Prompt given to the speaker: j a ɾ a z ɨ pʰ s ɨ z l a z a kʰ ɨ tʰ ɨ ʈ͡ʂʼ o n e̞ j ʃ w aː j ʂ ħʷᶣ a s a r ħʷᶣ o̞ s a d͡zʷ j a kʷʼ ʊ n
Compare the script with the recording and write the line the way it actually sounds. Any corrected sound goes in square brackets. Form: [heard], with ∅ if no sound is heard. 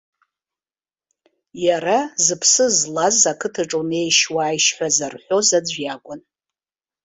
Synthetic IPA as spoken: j a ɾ a z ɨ pʰ s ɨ z l a z a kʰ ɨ tʰ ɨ ʈ͡ʂʼ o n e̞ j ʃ w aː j [ʃ] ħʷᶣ a [z] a r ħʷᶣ o̞ [z] a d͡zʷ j a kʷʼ ʊ n